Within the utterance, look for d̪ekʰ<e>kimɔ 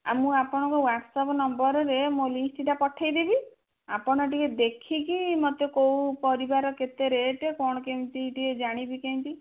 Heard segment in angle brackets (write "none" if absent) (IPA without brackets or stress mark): i